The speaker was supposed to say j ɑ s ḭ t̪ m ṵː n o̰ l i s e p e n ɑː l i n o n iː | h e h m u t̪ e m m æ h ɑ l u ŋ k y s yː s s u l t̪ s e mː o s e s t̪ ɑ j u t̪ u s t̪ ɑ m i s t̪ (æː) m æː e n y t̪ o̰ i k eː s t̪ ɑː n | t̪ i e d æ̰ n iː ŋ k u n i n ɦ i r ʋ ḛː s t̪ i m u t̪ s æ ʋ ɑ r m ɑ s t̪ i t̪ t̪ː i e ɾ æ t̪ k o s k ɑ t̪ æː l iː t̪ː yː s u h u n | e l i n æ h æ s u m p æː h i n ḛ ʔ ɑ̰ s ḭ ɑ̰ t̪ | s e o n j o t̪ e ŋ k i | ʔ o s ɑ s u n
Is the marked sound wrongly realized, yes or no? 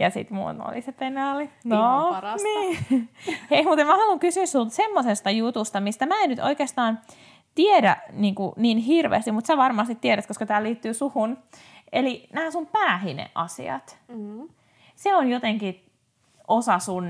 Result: yes